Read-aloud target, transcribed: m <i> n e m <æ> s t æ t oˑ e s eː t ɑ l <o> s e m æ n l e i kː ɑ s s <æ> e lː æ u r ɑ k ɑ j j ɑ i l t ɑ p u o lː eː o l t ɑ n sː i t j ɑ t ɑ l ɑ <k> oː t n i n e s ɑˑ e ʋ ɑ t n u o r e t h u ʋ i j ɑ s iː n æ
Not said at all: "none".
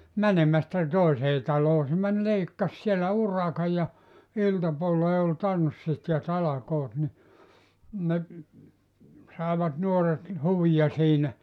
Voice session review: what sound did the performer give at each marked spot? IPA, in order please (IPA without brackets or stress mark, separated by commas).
æ, æ, oː, i, k